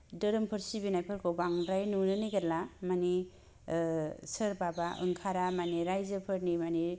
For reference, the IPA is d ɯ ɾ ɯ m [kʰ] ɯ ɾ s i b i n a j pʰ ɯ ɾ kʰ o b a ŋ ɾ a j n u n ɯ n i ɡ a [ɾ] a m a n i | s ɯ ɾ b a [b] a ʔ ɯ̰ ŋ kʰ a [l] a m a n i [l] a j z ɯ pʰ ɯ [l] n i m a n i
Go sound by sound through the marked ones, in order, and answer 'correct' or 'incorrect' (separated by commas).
incorrect, incorrect, correct, incorrect, incorrect, incorrect